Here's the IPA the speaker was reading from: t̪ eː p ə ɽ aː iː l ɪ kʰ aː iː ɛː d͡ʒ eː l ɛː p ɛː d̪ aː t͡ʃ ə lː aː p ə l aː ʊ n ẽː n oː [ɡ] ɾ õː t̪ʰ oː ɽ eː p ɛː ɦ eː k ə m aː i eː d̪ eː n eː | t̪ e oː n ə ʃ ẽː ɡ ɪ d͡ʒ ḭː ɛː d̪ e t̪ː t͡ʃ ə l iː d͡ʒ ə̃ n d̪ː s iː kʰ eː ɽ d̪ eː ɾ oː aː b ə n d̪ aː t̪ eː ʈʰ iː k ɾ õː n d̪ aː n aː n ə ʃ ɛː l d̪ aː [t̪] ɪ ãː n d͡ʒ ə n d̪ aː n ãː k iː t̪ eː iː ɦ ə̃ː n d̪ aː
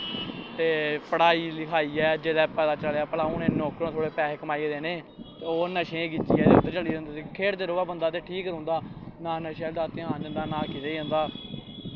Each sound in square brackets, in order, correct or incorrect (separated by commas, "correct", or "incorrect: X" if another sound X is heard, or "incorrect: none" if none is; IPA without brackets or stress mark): incorrect: k, correct